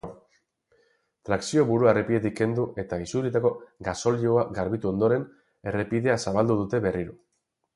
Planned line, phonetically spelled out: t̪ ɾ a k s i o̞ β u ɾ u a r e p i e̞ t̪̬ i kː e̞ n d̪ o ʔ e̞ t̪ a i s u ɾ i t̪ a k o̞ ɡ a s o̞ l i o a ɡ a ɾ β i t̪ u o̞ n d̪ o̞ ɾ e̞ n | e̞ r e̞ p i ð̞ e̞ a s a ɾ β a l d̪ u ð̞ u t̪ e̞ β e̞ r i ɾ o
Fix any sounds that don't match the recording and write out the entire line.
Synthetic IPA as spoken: t̪ ɾ a k s i o̞ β u ɾ u a r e p i e̞ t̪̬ i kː e̞ n d̪ u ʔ e̞ t̪ a i s u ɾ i t̪ a k o̞ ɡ a s o̞ l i o a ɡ a ɾ β i t̪ u o̞ n d̪ o̞ ɾ e̞ n | e̞ r e̞ p i ð̞ e̞ a s a β a l d̪ u ð̞ u t̪ e̞ β e̞ r i ɾ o